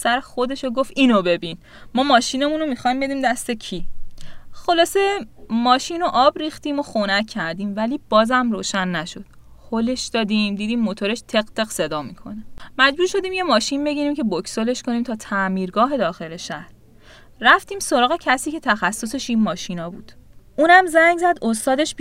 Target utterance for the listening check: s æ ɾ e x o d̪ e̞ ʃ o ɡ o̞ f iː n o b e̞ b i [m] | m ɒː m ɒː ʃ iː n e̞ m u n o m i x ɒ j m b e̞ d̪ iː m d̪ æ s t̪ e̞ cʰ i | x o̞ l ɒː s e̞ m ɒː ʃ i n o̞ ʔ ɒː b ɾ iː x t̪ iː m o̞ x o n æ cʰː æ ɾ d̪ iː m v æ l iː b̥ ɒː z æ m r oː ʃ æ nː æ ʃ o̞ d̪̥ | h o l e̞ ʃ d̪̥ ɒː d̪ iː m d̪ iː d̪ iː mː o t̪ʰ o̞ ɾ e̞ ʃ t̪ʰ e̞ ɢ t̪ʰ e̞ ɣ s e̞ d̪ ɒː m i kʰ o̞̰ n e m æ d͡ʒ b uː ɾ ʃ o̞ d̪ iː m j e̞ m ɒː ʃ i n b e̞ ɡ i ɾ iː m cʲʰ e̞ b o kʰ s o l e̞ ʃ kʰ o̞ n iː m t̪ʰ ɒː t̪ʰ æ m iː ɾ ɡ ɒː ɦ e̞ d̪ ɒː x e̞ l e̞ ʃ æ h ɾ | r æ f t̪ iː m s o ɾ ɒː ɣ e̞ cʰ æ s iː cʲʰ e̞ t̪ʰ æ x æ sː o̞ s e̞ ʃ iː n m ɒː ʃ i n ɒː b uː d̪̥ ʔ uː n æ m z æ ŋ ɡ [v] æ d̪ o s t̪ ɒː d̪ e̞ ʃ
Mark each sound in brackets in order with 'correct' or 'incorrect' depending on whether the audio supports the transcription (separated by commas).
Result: incorrect, incorrect